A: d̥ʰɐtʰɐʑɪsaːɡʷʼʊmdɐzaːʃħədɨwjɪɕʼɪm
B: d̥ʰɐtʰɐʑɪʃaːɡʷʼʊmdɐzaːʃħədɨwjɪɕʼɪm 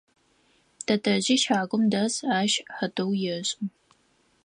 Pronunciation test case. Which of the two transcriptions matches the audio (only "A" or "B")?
B